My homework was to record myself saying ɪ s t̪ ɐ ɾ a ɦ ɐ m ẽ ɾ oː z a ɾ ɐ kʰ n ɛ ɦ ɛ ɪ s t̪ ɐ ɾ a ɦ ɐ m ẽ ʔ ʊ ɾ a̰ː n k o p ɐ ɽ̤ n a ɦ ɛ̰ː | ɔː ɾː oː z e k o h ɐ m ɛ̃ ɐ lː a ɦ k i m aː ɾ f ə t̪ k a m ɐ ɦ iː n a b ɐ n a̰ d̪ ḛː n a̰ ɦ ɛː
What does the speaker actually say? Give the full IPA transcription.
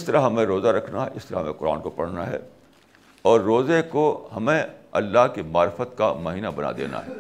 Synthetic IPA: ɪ s t̪ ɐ ɾ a ɦ ɐ m ẽ ɾ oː z a ɾ ɐ kʰ n a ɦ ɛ ɪ s t̪ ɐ ɾ a ɦ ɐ m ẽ q ʊ ɾ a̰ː n k o p ɐ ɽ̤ n a ɦ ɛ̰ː | ɔː ɾː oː z e k o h ɐ m ẽ ɐ lː a ɦ k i m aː ɾ f ə t̪ k a m ɐ ɦ iː n a b ɐ n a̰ d̪ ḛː n a̰ ɦ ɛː